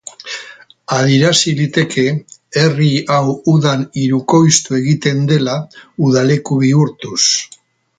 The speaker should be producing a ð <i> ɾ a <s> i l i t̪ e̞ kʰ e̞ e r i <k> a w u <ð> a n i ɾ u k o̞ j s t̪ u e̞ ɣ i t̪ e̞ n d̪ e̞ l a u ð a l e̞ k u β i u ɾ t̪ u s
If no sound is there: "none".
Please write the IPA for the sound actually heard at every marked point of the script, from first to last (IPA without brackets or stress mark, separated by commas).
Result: i, s, none, ð